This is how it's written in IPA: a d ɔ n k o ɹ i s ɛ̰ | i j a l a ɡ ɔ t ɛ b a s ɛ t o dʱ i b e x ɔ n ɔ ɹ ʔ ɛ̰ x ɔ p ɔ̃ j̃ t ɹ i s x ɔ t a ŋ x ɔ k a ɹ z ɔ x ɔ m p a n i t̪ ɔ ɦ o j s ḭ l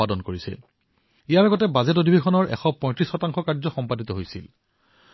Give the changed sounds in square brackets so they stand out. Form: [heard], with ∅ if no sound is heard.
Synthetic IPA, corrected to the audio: a d ɔ n k o ɹ i s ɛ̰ | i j a [ɹ] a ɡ ɔ t ɛ b a [z] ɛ t o dʱ i b e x ɔ n ɔ ɹ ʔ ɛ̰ x ɔ p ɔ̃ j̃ t ɹ i s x ɔ t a ŋ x ɔ k a ɹ z ɔ x ɔ m p a [d] i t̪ ɔ ɦ o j s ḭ l